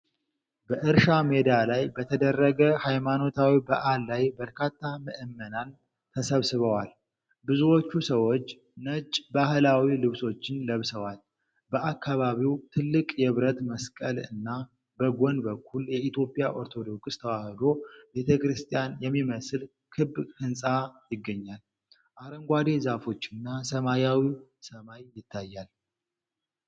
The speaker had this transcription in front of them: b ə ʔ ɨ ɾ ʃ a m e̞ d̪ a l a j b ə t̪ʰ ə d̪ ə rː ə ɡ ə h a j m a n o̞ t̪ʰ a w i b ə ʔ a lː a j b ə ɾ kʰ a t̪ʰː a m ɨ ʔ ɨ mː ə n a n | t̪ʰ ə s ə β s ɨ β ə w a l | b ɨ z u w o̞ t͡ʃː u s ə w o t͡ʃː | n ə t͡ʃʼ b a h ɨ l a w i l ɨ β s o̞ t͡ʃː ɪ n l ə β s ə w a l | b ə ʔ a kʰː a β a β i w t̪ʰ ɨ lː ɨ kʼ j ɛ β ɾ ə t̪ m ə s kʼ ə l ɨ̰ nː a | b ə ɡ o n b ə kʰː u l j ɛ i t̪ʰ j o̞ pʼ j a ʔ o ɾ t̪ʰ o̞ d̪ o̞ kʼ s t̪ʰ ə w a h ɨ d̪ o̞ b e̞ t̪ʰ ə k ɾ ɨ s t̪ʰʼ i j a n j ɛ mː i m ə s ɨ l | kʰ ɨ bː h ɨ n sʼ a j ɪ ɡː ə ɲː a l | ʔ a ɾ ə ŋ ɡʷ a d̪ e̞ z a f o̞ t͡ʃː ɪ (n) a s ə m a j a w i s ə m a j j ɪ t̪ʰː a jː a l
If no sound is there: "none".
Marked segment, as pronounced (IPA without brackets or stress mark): nː